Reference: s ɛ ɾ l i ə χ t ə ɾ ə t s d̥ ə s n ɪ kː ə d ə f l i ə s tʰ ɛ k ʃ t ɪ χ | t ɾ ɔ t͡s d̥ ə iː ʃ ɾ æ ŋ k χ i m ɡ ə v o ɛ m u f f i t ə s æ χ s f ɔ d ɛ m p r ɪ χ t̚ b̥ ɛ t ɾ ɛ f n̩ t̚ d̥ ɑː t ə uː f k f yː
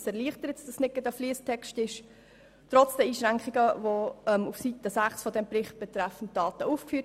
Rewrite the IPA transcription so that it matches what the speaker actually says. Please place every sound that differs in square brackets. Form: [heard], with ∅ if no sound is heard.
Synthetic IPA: s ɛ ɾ l i ə χ t ə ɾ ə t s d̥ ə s n ɪ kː ə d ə f l i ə s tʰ ɛ k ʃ t ɪ [ʃ] | t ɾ ɔ t͡s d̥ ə iː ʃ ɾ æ ŋ k χ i [∅] ɡ ə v o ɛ m u f [s] i t ə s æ χ s f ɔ d ɛ m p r ɪ χ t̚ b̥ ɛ t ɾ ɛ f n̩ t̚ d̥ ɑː t ə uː f k f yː